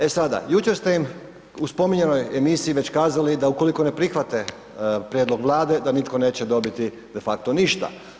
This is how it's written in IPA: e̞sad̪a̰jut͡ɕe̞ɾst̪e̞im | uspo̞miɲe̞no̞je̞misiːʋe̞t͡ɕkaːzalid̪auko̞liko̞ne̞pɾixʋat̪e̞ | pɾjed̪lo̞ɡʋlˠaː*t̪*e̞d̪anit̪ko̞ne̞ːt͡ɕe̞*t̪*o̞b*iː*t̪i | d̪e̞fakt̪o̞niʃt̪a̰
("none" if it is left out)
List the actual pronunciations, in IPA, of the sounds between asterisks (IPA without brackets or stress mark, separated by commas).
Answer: d̪, d̪, i